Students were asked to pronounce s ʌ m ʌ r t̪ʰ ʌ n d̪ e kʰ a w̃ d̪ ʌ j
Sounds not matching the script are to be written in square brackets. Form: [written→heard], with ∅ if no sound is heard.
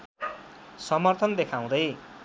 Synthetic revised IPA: s ʌ m ʌ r t̪ʰ ʌ n d̪ e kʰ a w̃ d̪ ʌ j